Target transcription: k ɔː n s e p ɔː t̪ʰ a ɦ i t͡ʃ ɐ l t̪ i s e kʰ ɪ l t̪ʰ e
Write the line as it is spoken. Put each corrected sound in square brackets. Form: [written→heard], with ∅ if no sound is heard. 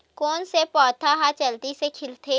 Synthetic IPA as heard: k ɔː n s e p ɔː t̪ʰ a ɦ [i→a] t͡ʃ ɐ l t̪ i s e kʰ ɪ l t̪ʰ e

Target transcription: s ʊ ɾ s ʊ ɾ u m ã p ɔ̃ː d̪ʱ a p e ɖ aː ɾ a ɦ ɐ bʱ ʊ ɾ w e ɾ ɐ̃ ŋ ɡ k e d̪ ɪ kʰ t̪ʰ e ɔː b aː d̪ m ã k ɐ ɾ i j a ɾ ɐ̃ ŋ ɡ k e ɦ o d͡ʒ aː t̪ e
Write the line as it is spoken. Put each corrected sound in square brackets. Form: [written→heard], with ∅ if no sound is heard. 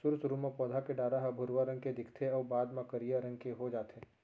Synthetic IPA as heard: s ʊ ɾ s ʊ ɾ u m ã p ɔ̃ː d̪ʱ a [p→k] e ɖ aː ɾ a ɦ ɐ bʱ ʊ ɾ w [e→a] ɾ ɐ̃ ŋ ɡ k e d̪ ɪ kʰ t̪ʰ e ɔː b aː d̪ m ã k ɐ ɾ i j a ɾ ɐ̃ ŋ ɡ k e ɦ o d͡ʒ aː t̪ e

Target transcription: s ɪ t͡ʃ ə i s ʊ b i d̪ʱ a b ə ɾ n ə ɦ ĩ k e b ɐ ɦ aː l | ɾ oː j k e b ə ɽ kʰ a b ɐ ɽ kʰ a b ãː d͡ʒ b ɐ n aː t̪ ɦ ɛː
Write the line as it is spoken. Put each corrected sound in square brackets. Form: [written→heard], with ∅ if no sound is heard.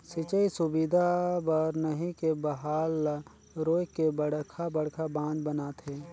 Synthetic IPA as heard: s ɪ t͡ʃ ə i s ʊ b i d̪ʱ a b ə ɾ n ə ɦ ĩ k e b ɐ ɦ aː l | ɾ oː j k e b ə ɽ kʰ a b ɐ ɽ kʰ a b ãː d͡ʒ b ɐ n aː t̪ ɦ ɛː

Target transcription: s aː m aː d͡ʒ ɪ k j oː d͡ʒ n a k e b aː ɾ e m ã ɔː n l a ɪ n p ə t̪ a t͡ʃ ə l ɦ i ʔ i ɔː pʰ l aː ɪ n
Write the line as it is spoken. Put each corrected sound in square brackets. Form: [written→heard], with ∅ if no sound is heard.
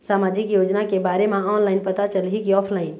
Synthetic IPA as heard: s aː m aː d͡ʒ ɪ k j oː d͡ʒ n a k e b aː ɾ e m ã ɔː n l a ɪ n p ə t̪ a t͡ʃ ə l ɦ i [ʔ→k] i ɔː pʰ l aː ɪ n

